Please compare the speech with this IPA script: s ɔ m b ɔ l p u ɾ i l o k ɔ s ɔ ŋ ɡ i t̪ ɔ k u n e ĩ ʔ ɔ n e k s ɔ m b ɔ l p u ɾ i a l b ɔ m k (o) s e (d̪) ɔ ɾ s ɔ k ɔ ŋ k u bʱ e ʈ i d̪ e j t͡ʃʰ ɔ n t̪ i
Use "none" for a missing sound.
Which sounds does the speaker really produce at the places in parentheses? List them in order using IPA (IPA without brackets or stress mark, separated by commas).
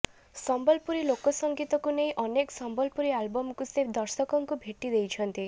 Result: u, d̪